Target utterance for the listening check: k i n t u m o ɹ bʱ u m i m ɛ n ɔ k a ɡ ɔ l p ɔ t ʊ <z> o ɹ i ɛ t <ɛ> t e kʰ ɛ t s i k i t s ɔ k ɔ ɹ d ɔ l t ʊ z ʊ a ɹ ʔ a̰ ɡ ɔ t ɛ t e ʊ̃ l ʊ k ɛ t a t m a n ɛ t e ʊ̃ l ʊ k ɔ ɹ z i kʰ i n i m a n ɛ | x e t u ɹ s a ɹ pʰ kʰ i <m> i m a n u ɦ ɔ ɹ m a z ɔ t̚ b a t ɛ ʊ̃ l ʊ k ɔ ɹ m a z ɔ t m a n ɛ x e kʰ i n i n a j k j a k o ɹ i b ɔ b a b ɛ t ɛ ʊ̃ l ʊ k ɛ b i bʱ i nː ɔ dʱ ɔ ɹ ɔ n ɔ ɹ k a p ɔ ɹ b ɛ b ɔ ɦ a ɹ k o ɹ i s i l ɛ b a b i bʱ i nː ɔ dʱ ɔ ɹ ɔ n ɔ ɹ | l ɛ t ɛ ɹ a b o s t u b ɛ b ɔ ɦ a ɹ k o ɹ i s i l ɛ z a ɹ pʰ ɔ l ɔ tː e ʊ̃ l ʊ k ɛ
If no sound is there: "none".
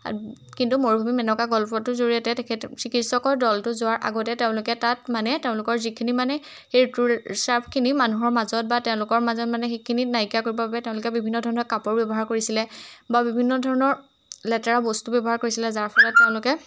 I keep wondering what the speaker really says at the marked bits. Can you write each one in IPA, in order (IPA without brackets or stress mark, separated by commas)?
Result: z, ɛ, n